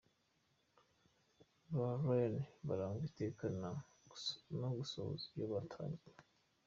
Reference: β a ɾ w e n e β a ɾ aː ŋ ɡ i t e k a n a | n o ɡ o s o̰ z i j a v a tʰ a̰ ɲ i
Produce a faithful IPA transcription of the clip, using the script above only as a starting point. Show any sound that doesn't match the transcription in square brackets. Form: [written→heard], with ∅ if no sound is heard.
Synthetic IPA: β a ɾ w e n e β a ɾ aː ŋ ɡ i t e k a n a | n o ɡ [o→u] s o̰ z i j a [v→β] a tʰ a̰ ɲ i